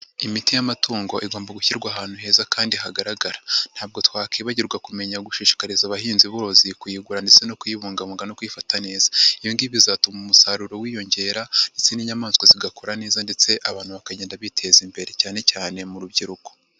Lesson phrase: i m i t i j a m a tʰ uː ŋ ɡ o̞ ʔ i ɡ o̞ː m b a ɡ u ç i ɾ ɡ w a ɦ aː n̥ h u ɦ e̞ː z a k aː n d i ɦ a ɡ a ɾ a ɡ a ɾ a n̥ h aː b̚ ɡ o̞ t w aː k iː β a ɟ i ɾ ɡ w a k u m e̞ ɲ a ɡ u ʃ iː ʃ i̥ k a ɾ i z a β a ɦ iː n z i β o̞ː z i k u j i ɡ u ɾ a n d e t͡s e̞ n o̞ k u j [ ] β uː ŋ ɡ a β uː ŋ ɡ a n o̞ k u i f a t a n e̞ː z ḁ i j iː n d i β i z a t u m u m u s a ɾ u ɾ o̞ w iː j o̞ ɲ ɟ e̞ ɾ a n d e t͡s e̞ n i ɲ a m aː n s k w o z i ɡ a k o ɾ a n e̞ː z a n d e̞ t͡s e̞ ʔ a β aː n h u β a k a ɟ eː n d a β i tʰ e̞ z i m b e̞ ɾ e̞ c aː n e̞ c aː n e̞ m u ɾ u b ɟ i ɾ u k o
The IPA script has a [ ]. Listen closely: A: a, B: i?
B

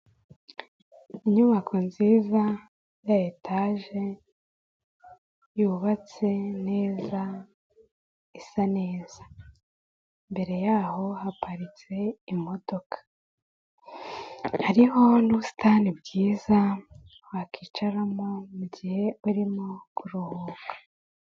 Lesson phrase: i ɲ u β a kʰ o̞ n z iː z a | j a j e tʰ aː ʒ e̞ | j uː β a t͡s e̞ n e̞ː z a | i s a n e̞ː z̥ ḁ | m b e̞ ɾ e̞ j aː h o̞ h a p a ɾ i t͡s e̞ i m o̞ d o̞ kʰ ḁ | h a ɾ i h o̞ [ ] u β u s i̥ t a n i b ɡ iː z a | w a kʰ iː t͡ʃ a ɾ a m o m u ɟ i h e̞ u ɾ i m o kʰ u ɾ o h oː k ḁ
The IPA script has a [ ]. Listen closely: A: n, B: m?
A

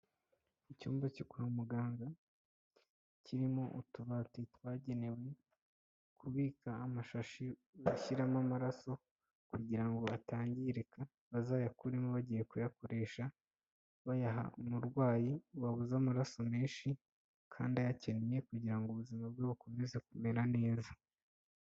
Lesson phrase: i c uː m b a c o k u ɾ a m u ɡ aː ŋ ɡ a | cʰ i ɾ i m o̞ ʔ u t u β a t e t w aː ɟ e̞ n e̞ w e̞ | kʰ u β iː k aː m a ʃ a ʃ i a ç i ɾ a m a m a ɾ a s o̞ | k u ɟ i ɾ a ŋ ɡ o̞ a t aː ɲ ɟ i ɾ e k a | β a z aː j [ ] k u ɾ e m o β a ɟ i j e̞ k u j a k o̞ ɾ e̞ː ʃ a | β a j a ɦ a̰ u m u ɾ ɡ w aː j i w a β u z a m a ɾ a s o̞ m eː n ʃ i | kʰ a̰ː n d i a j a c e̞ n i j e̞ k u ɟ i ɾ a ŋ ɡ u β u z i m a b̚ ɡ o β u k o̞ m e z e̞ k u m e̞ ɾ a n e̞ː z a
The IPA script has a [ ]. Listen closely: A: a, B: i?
A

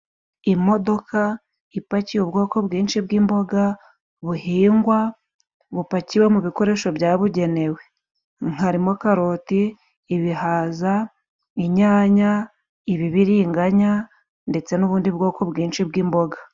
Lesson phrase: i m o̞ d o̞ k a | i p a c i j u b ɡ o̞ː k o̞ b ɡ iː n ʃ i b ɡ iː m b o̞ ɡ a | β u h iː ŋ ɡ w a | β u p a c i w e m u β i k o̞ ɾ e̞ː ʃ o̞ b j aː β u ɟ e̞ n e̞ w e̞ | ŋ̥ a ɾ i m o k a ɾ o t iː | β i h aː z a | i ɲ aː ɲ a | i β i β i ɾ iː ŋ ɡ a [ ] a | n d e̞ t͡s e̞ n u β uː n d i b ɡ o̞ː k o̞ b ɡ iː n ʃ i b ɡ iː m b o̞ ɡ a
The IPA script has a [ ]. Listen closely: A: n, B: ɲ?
B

